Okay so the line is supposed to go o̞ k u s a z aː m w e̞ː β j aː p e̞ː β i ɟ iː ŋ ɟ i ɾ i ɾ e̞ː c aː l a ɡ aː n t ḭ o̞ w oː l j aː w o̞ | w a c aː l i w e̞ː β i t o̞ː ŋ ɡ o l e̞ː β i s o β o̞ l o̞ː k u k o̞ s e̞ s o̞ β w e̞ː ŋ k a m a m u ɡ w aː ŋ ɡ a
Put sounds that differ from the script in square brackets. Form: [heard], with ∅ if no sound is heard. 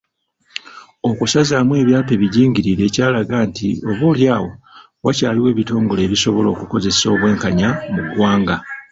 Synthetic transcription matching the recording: o̞ k u s a z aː m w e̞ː β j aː p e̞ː β i ɟ iː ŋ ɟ i ɾ i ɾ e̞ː c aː l a ɡ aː n t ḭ o̞ [β] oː l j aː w o̞ | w a c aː l i w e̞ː β i t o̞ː ŋ ɡ o l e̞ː β i s o β o̞ l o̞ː k u k o̞ [z] e̞ s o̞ β w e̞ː ŋ k a [ɲ] a m u ɡ w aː ŋ ɡ a

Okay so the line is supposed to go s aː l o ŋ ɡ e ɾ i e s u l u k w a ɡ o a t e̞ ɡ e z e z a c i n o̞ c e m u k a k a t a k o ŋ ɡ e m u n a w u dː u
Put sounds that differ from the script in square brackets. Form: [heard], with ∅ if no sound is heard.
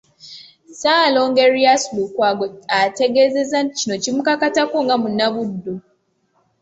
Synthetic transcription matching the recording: s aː l o ŋ ɡ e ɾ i [a] s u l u k w a ɡ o a t e̞ ɡ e z e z a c i n o̞ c [i] m u k a k a t a k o ŋ ɡ [a] m u n a [β] u dː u

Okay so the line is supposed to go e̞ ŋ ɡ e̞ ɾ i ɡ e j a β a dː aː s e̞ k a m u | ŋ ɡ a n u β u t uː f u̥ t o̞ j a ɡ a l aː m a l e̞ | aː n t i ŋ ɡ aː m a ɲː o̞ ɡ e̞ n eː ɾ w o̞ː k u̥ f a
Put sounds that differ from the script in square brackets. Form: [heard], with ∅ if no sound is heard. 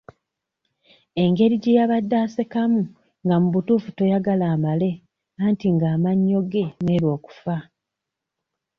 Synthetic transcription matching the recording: e̞ ŋ ɡ e̞ ɾ i [ɟ] e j a β a dː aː s e̞ k a m u | ŋ ɡ a [m] u β u t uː f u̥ t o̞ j a ɡ a l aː m a l e̞ | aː n t i ŋ ɡ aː m a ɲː o̞ ɡ e̞ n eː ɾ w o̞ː k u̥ f a

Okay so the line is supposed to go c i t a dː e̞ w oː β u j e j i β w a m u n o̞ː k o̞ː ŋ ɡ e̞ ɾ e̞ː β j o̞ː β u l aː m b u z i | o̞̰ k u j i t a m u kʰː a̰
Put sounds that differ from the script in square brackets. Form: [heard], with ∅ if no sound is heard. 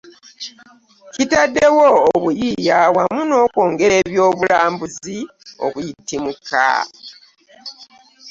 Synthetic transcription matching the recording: c i t a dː e̞ w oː β u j [i] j [a] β w a m u n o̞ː k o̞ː ŋ ɡ e̞ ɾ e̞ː β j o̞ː β u l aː m b u z i | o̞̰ k u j i t [i] m u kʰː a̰

